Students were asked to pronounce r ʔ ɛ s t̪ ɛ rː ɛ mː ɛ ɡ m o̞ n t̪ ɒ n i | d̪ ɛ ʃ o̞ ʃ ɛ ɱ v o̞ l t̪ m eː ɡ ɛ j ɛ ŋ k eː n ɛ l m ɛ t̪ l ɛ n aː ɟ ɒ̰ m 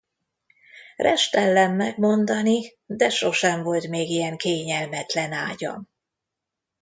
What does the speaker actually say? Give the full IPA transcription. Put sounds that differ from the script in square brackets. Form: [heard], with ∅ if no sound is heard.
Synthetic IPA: r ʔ ɛ [ʃ] t̪ ɛ [lː] ɛ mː ɛ ɡ m o̞ n [d̪] ɒ n i | d̪ ɛ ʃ o̞ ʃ ɛ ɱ v o̞ l t̪ m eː ɡ [i] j ɛ ŋ k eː [ɲ] ɛ l m ɛ t̪ l ɛ n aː ɟ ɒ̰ m

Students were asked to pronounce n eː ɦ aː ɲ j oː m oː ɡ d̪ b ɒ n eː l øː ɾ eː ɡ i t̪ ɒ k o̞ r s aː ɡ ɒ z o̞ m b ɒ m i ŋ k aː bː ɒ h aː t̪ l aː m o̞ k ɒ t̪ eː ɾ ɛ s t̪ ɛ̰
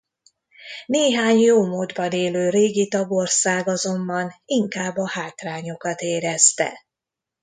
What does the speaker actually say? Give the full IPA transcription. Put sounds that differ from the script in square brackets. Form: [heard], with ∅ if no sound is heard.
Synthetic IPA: n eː ɦ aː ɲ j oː m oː [∅] d̪ b ɒ n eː l øː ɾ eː ɡ i t̪ ɒ [ɡ] o̞ r s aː ɡ ɒ z o̞ m b ɒ [n] i ŋ k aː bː ɒ h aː t̪ [r] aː [ɲ] o̞ k ɒ t̪ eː ɾ ɛ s t̪ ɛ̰

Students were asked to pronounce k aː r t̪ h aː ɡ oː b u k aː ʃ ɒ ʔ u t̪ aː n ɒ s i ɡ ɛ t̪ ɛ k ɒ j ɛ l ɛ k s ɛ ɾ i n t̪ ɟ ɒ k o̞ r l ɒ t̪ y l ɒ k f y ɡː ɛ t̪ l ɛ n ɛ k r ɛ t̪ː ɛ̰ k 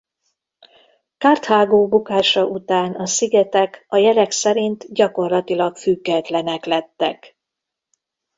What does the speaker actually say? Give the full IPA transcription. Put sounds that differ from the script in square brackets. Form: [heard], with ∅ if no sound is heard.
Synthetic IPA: k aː r t̪ h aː ɡ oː b u k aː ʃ ɒ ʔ u t̪ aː n ɒ s i ɡ ɛ t̪ ɛ k ɒ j ɛ l ɛ k s ɛ ɾ i n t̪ ɟ ɒ k o̞ r l ɒ t̪ [i] l ɒ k f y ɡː ɛ t̪ l ɛ n ɛ k [l] ɛ t̪ː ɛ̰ k

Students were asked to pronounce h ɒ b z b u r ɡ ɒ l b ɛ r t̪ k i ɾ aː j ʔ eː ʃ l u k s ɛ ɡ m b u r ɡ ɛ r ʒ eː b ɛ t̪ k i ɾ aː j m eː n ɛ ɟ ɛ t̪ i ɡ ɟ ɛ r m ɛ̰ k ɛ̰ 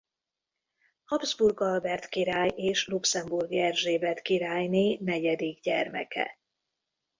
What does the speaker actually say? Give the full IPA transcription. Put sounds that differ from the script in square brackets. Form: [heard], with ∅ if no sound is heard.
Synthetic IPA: h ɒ b z b u r ɡ ɒ l b ɛ r t̪ k i ɾ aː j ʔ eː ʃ l u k s ɛ [∅] m b u r ɡ ɛ r ʒ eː b ɛ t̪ k i ɾ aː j [n] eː n ɛ ɟ ɛ [d̪] i ɡ ɟ ɛ r m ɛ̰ k ɛ̰

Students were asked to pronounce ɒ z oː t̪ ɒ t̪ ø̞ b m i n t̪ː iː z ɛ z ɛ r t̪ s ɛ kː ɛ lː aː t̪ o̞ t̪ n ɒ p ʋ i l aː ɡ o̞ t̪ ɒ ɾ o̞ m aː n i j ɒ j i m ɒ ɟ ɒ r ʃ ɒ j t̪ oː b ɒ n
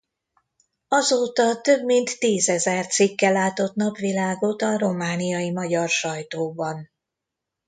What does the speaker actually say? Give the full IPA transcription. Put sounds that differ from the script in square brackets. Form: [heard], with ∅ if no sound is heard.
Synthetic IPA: ɒ z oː t̪ ɒ t̪ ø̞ b m i n t̪ː iː z ɛ z ɛ r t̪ s [i] kː ɛ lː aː t̪ o̞ t̪ n ɒ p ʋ i l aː ɡ o̞ t̪ ɒ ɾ o̞ m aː n i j ɒ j i m ɒ ɟ ɒ r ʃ ɒ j t̪ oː b ɒ n

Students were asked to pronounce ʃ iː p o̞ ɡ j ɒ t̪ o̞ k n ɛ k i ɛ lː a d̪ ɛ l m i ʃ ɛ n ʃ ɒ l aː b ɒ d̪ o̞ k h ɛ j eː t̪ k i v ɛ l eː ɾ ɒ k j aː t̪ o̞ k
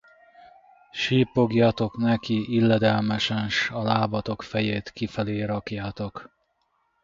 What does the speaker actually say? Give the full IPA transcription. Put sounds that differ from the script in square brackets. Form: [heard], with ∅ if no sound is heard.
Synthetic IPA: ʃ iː p o̞ ɡ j ɒ t̪ o̞ k n ɛ k i [i] lː [ɛ] d̪ ɛ l m [ɛ] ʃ ɛ n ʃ ɒ l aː b ɒ [t̪] o̞ k [f] ɛ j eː t̪ k i [f] ɛ l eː ɾ ɒ k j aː t̪ o̞ k

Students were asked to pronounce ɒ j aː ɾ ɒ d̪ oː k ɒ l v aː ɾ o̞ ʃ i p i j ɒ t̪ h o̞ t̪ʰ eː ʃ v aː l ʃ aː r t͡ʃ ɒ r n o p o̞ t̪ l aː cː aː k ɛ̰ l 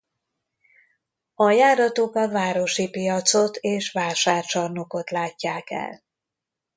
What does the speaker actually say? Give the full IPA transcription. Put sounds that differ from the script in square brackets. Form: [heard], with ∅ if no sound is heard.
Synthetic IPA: ɒ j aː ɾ ɒ [t̪] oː k ɒ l v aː ɾ o̞ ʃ i p i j ɒ t̪ [s] o̞ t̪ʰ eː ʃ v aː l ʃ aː r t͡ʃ ɒ r n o [k] o̞ t̪ l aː cː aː k ɛ̰ l

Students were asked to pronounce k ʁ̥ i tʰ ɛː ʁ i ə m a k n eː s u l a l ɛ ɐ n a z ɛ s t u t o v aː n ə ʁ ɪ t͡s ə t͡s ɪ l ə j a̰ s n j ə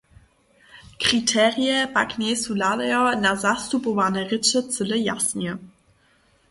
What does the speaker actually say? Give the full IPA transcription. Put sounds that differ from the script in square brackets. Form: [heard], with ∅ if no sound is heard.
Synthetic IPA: k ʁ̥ i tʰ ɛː ʁ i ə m a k n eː s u l a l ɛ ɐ n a z [a] s t u [p] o v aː n ə ʁ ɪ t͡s ə t͡s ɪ l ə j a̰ s n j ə

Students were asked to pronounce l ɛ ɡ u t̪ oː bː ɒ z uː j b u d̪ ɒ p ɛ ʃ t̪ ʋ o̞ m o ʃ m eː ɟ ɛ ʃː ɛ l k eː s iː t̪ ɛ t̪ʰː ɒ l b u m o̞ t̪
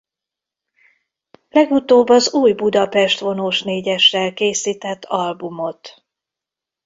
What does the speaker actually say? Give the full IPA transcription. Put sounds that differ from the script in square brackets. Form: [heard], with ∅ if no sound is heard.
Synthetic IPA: l ɛ ɡ u t̪ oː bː ɒ z uː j b u d̪ ɒ p ɛ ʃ t̪ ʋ o̞ [n] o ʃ [n] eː ɟ ɛ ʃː ɛ l k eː s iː t̪ ɛ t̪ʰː ɒ l b u m o̞ t̪

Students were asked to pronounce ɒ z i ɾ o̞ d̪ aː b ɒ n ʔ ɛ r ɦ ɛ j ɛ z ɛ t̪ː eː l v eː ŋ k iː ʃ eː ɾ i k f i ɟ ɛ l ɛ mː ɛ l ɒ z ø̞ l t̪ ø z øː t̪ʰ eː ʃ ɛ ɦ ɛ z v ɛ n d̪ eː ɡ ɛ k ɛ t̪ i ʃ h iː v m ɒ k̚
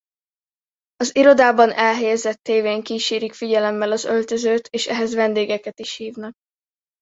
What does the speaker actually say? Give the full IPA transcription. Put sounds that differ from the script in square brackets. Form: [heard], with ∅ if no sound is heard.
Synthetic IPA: ɒ z i ɾ o̞ d̪ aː b ɒ n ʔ ɛ [l] ɦ ɛ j ɛ z ɛ t̪ː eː [∅] v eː ŋ k iː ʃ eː ɾ i k f i ɟ ɛ l ɛ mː ɛ l ɒ z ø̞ l t̪ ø z øː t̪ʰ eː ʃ ɛ ɦ ɛ z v ɛ n d̪ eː ɡ ɛ k ɛ t̪ i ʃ h iː v [n] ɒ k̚

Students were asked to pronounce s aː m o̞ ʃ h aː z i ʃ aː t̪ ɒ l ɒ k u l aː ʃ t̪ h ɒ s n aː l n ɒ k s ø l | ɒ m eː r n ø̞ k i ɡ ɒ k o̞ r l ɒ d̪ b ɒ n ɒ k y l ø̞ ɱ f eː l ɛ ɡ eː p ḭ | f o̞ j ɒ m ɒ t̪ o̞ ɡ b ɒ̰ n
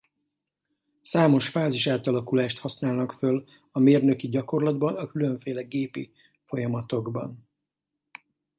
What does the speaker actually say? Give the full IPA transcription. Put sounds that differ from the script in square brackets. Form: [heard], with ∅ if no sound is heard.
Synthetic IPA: s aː m o̞ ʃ [f] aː z i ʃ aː t̪ ɒ l ɒ k u l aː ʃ t̪ h ɒ s n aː l n ɒ k [f] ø l | ɒ m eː r n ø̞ k i [ɟ] ɒ k o̞ r l ɒ d̪ b ɒ n ɒ k y l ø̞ ɱ f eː l ɛ ɡ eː p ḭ | f o̞ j ɒ m ɒ t̪ o̞ ɡ b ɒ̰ n

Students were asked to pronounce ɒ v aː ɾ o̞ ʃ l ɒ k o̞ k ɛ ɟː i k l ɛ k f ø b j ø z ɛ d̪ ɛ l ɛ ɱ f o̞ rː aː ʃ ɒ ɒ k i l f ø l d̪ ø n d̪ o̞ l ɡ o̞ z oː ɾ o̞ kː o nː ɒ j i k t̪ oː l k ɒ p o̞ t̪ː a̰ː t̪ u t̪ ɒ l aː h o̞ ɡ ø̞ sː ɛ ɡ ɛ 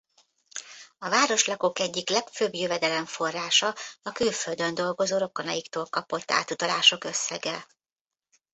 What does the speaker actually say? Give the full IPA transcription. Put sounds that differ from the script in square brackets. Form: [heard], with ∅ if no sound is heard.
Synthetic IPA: ɒ v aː ɾ o̞ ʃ l ɒ k o̞ k ɛ ɟː i k l ɛ k f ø b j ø [v] ɛ d̪ ɛ l ɛ ɱ f o̞ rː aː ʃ ɒ ɒ k [y] l f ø l d̪ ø n d̪ o̞ l ɡ o̞ z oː ɾ o̞ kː o [n] ɒ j i k t̪ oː l k ɒ p o̞ t̪ː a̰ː t̪ u t̪ ɒ l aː [ʃ] o̞ [k] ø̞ sː ɛ ɡ ɛ

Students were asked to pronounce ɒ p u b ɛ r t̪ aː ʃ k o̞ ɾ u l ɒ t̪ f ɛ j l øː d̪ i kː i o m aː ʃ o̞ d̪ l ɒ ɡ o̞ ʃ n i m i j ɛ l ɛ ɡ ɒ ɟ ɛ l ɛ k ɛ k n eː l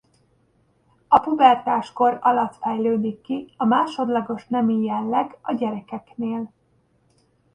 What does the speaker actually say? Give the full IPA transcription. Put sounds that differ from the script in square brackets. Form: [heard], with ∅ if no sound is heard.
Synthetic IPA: ɒ p u b ɛ r t̪ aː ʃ k o̞ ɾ [ɒ] l ɒ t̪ f ɛ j l øː d̪ i kː i [ɒ] m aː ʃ o̞ d̪ l ɒ ɡ o̞ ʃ n [ɛ] m i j ɛ [lː] ɛ ɡ ɒ ɟ ɛ [ɾ] ɛ k ɛ k n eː l

